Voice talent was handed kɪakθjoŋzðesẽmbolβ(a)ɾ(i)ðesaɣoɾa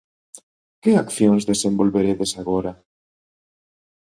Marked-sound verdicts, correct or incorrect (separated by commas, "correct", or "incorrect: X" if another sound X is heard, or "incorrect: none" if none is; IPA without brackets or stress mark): incorrect: e, incorrect: e